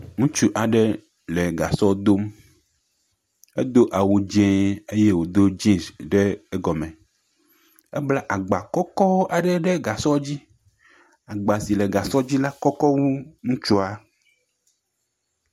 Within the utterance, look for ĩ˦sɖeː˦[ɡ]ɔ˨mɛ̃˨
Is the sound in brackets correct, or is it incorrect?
correct